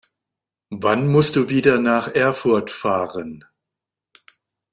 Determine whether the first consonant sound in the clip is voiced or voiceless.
voiced